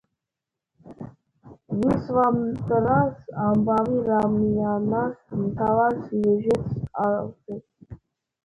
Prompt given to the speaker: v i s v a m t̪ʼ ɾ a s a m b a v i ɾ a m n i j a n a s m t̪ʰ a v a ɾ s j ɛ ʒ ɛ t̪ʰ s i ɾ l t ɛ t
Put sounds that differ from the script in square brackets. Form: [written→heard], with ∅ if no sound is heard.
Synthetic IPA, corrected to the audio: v i s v a m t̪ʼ ɾ a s a m b a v i ɾ a m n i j a n a s m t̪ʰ a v a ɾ s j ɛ ʒ ɛ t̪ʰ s [i→a] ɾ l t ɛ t

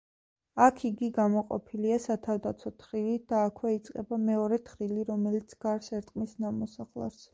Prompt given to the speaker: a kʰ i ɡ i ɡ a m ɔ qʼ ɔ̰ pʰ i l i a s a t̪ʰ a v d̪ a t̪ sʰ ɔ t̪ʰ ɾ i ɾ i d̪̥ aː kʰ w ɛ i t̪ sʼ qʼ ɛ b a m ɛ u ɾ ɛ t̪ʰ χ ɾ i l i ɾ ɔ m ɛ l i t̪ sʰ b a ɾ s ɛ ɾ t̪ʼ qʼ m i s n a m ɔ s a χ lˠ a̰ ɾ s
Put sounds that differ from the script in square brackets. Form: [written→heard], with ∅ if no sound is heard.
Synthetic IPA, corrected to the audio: a kʰ i ɡ i ɡ a m ɔ qʼ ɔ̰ pʰ i l i a s a t̪ʰ a v d̪ a t̪ sʰ ɔ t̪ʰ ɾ i [ɾ→l] i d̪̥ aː kʰ w ɛ i t̪ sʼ qʼ ɛ b a m ɛ [u→ɔ] ɾ ɛ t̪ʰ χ ɾ i l i ɾ ɔ m ɛ l i t̪ sʰ [b→ɡ] a ɾ s ɛ ɾ t̪ʼ qʼ m i s n a m ɔ s a χ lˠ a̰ ɾ s

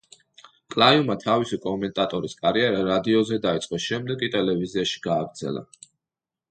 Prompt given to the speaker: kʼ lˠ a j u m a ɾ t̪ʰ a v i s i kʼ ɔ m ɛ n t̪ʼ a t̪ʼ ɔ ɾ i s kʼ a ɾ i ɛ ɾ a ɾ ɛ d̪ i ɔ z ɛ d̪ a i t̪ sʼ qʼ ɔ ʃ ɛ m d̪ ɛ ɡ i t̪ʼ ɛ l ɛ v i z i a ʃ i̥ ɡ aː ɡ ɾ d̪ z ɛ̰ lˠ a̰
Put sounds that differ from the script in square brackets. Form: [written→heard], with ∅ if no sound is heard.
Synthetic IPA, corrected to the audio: kʼ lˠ a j u m a [ɾ→∅] t̪ʰ a v i s i kʼ ɔ m ɛ n t̪ʼ a t̪ʼ ɔ ɾ i s kʼ a ɾ i ɛ ɾ a ɾ [ɛ→a] d̪ i ɔ z ɛ d̪ a i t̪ sʼ qʼ ɔ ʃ ɛ m d̪ ɛ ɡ i t̪ʼ ɛ l ɛ v i z i a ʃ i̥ ɡ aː ɡ ɾ d̪ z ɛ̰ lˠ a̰

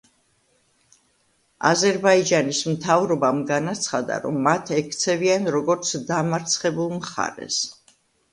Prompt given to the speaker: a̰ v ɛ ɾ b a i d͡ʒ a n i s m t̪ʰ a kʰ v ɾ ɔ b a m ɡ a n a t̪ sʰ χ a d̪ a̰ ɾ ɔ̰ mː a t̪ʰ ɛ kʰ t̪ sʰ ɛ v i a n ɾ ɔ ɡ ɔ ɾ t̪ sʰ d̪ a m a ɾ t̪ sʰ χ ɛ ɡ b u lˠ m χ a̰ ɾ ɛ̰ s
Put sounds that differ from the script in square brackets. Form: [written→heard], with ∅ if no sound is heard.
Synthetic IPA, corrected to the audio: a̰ [v→z] ɛ ɾ b a i d͡ʒ a n i s m t̪ʰ a [kʰ→∅] v ɾ ɔ b a m ɡ a n a t̪ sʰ χ a d̪ a̰ ɾ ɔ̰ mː a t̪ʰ ɛ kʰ t̪ sʰ ɛ v i a n ɾ ɔ ɡ ɔ ɾ t̪ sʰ d̪ a m a ɾ t̪ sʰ χ ɛ [ɡ→∅] b u lˠ m χ a̰ ɾ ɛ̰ s

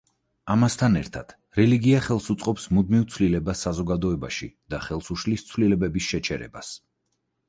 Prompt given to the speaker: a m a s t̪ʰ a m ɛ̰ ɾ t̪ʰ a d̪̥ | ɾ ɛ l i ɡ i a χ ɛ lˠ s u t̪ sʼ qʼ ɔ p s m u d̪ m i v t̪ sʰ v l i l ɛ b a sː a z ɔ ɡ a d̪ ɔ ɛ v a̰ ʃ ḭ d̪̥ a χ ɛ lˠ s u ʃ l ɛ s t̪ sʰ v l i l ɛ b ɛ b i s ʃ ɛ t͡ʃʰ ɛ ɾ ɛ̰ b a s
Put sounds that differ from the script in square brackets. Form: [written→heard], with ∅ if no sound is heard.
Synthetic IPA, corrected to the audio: a m a s t̪ʰ a [m→n] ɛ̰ ɾ t̪ʰ a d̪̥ | ɾ ɛ l i ɡ i a χ ɛ lˠ s u t̪ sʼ qʼ ɔ p s m u d̪ m i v t̪ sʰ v l i l ɛ b a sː a z ɔ ɡ a d̪ ɔ ɛ [v→b] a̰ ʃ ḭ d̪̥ a χ ɛ lˠ s u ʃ l [ɛ→i] s t̪ sʰ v l i l ɛ b ɛ b i s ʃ ɛ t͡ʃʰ ɛ ɾ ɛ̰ b a s

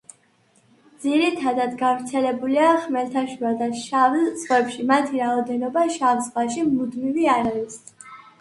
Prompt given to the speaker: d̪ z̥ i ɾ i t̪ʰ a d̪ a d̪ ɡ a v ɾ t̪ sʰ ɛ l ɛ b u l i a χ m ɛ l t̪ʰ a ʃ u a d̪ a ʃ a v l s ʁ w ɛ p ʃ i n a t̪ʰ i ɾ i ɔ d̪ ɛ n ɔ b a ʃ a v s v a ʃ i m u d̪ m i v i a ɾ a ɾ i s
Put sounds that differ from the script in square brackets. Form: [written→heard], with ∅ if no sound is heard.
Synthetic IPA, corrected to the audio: d̪ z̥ i ɾ i t̪ʰ a d̪ a d̪ ɡ a v ɾ t̪ sʰ ɛ l ɛ b u l i a χ m ɛ l t̪ʰ a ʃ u a d̪ a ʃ a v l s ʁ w ɛ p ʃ i [n→m] a t̪ʰ i ɾ [i→a] ɔ d̪ ɛ n ɔ b a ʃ a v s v a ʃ i m u d̪ m i v i a ɾ a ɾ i s

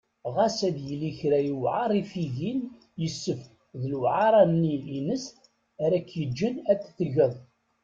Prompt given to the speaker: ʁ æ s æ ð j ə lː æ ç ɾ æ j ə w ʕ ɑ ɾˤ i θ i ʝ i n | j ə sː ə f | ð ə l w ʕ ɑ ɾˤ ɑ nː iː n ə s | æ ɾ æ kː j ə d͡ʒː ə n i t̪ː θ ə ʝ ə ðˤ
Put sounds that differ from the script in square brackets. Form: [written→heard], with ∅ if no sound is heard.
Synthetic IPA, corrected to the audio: ʁ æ s æ ð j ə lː [æ→i] ç ɾ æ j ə w ʕ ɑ ɾˤ i [θ→f] i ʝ i n | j ə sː ə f | ð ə l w ʕ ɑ ɾˤ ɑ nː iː n ə s | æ ɾ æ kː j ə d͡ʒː ə n [i→æ] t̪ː θ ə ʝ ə ðˤ

